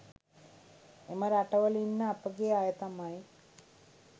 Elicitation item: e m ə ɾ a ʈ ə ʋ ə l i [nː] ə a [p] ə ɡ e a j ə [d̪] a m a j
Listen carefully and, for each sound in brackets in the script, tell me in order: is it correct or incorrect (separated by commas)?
correct, correct, incorrect